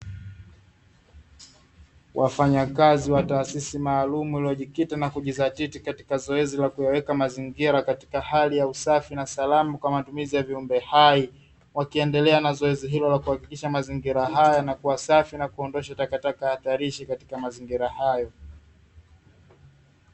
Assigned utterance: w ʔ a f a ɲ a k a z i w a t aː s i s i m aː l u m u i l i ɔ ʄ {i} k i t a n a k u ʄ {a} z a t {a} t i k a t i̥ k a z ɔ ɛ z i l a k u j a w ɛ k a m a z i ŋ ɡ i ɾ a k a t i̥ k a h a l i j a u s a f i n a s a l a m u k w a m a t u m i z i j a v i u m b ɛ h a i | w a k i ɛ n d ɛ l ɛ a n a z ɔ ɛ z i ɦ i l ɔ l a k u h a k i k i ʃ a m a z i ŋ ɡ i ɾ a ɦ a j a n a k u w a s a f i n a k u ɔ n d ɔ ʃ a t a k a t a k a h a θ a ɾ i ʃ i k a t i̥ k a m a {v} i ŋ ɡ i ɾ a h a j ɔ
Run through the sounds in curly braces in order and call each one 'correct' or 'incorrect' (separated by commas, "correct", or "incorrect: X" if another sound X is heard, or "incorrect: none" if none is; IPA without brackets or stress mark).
correct, incorrect: i, incorrect: i, incorrect: z